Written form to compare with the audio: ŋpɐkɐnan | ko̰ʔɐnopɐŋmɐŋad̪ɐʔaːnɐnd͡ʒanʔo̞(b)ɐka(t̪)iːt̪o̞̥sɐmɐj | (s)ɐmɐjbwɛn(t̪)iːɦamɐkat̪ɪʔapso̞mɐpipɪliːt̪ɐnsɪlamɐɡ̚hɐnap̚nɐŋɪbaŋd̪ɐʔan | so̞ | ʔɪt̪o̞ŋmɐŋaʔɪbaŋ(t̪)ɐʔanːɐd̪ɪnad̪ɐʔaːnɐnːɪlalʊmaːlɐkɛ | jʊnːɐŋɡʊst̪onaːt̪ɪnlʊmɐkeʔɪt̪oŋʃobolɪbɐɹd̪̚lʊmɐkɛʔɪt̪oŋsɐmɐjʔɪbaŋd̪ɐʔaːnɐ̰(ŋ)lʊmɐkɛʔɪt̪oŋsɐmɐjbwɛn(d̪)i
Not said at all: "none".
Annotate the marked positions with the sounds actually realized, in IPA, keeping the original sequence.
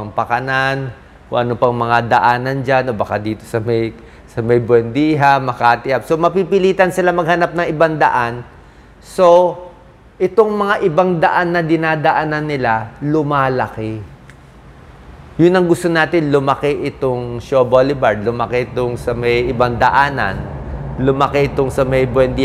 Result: b, d̪, s, d̪, d̪, n, d̪

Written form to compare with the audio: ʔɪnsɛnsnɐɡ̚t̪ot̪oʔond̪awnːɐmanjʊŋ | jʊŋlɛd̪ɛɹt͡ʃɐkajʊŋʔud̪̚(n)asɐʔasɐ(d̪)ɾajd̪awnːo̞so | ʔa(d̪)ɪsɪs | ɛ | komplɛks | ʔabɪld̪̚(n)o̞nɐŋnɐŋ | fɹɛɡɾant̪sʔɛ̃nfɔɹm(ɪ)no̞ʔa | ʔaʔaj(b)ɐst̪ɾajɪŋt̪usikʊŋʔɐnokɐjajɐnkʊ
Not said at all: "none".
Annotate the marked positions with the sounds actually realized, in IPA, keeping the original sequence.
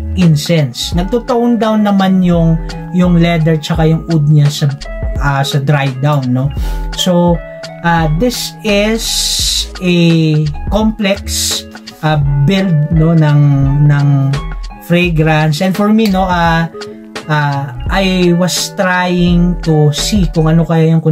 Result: ɲ, d̪, d̪, n, i, w

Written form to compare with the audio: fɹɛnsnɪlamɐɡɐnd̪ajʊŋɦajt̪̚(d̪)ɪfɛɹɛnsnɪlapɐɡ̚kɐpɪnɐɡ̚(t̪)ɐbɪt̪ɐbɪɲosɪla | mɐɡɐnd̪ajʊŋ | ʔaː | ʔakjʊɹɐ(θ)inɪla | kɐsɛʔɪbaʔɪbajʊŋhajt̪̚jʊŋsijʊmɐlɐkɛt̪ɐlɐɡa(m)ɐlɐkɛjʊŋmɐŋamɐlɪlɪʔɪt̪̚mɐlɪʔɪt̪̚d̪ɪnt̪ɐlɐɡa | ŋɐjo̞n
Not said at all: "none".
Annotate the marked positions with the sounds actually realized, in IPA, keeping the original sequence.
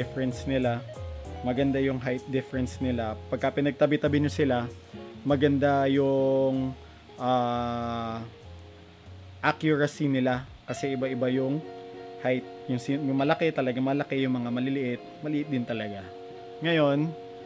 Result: d̪, t̪, s, m

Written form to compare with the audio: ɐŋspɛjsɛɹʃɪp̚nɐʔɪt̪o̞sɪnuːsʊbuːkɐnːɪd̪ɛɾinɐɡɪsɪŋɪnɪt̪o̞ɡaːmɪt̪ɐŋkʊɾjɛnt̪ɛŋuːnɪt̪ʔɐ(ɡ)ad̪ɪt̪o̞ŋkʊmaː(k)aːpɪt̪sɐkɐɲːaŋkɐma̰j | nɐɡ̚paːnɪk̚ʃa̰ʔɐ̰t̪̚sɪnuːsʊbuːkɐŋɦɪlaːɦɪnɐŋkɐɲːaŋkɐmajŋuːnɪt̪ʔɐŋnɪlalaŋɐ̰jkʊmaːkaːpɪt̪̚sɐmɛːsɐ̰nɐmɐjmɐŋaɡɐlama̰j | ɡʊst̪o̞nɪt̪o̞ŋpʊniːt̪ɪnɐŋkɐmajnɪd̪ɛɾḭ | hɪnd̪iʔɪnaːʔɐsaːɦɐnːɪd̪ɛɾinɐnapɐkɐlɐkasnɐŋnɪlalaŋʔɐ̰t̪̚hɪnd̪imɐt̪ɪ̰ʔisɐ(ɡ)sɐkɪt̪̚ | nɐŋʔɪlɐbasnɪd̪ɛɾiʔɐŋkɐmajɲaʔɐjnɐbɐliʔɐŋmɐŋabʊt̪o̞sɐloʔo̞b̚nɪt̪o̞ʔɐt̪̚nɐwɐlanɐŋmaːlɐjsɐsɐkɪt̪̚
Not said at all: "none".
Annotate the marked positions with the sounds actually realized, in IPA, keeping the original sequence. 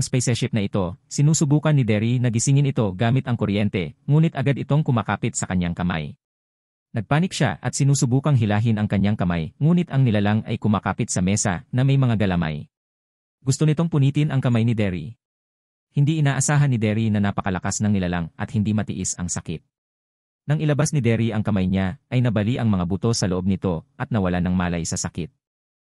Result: ɡ, k, ŋ

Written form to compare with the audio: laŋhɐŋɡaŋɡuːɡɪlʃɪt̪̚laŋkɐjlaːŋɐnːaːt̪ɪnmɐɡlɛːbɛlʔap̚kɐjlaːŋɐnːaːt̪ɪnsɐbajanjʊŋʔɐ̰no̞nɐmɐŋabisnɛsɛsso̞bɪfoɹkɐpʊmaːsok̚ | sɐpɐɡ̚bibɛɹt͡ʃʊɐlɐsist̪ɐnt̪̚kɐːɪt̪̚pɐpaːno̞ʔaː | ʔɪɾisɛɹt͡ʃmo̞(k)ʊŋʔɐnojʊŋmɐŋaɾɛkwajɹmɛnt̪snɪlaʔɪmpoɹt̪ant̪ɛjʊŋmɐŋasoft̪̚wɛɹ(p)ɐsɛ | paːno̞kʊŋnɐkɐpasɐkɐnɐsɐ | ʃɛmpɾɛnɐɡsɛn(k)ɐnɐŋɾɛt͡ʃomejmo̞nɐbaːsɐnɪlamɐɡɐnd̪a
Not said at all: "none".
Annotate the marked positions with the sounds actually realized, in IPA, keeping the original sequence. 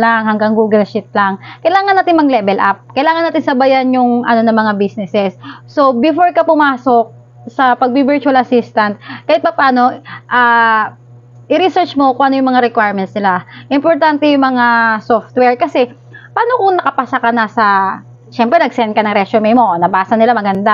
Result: k, k, k

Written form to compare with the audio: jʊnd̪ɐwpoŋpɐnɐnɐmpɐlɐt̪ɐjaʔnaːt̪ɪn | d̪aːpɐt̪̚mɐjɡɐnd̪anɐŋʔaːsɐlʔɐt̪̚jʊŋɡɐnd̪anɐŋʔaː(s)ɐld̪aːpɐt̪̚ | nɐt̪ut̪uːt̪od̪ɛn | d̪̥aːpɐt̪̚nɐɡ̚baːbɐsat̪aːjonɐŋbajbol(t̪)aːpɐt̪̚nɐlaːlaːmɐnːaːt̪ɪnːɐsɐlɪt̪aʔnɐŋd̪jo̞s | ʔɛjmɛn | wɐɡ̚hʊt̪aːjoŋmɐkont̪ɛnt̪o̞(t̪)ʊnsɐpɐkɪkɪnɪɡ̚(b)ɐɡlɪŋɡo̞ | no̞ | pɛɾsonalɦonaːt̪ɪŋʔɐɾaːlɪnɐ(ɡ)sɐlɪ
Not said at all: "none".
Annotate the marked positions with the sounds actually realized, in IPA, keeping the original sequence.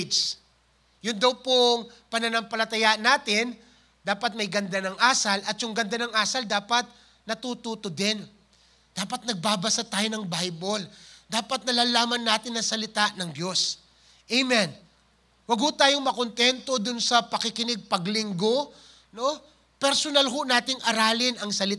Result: s, d̪, d̪, p, ŋ

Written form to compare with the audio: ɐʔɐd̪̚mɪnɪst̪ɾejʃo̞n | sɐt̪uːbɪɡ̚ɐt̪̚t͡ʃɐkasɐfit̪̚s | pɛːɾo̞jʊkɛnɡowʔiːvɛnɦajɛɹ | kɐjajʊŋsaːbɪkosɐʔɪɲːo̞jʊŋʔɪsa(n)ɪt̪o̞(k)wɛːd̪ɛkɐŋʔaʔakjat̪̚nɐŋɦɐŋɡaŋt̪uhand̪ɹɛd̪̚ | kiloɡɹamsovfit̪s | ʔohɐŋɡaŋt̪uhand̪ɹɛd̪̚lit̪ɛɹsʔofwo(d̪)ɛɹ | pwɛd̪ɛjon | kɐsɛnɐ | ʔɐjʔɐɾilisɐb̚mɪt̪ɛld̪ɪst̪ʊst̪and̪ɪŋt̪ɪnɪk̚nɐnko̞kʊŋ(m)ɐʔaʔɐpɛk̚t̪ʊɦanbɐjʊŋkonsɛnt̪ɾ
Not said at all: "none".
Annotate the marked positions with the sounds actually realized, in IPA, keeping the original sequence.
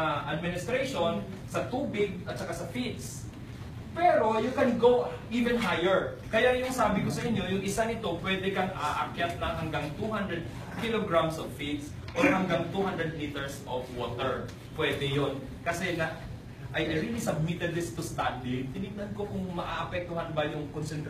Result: n, p, t̪, m

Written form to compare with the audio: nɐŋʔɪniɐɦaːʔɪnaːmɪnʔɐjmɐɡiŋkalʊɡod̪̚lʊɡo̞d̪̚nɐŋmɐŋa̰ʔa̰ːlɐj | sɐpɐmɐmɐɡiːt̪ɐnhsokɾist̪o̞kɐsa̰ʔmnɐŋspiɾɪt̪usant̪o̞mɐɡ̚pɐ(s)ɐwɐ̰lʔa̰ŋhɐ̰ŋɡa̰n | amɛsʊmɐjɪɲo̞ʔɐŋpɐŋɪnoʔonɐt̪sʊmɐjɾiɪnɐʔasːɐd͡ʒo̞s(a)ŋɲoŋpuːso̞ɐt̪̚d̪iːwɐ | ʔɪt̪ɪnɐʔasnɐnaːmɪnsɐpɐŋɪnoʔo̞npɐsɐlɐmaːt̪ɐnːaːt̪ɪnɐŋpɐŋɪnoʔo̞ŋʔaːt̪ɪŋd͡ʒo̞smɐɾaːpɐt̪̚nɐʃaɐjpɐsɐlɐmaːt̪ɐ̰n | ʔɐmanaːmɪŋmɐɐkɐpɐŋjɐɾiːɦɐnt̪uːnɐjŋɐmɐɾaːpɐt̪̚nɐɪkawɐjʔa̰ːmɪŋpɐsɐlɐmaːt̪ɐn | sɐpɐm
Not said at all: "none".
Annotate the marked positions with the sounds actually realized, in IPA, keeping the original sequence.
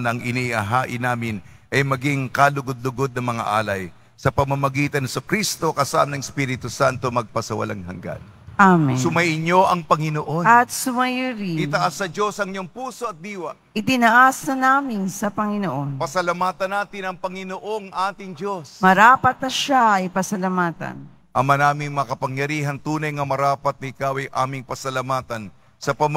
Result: s, ɐ

